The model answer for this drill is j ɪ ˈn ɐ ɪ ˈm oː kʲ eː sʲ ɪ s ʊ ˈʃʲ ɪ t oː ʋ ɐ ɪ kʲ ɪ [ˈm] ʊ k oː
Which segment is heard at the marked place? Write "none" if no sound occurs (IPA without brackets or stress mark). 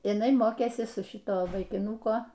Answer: n